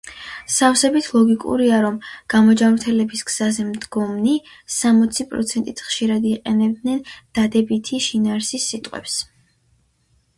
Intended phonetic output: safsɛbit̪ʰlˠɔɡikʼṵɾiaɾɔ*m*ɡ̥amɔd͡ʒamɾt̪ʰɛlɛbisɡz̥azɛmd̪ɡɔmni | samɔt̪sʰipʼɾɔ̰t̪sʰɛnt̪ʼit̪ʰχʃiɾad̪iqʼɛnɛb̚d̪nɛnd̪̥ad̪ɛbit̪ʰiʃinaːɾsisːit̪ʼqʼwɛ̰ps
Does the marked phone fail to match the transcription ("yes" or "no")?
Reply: no